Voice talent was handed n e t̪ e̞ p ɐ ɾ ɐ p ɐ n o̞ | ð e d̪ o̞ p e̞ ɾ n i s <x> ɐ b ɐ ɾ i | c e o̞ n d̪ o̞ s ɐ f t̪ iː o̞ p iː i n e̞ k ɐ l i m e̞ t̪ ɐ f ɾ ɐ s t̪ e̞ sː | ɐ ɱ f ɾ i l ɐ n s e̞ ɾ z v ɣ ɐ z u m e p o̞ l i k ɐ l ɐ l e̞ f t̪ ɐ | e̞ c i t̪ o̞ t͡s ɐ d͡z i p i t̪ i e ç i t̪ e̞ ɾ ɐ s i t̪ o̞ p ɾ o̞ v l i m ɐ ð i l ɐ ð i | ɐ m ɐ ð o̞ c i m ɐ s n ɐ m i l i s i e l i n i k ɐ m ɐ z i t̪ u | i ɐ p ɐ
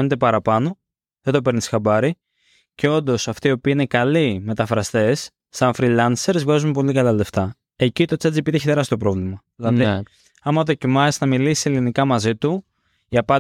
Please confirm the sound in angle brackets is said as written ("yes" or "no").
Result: yes